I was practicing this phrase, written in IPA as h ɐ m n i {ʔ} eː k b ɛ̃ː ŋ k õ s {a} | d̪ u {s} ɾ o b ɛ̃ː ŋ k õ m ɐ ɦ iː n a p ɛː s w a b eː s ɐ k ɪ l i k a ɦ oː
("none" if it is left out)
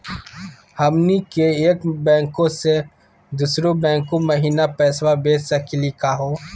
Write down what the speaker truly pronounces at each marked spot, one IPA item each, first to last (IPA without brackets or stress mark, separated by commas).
k, e, s